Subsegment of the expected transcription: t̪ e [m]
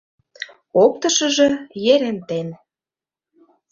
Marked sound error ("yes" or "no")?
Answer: yes